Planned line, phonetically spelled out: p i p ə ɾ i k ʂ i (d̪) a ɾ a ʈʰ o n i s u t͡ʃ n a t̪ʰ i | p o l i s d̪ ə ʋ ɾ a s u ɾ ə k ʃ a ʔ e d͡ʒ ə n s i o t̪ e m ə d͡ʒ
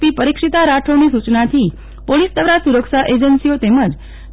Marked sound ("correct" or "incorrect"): incorrect